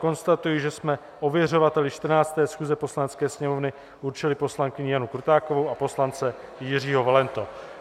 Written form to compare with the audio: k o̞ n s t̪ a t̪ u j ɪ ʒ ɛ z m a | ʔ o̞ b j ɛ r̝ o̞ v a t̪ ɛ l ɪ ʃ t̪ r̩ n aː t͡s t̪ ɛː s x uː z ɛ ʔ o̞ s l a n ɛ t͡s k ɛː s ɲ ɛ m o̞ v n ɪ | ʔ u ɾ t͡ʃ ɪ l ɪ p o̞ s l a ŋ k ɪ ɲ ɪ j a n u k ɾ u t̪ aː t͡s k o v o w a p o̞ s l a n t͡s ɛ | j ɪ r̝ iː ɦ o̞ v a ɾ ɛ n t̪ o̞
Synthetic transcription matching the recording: k o̞ n s t̪ a t̪ u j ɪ ʒ ɛ s m ɛ | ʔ o̞ v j ɛ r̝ o̞ v a t̪ ɛ l ɪ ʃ t̪ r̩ n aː t͡s t̪ ɛː s x uː z ɛ p o̞ s l a n ɛ t͡s k ɛː s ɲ ɛ m o̞ v n ɪ | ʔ u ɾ t͡ʃ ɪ l ɪ p o̞ s l a ŋ k ɪ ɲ ɪ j a n u k ɾ u t̪ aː k o v o w a p o̞ s l a n t͡s ɛ | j ɪ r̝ iː ɦ o̞ v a l ɛ n t̪ o̞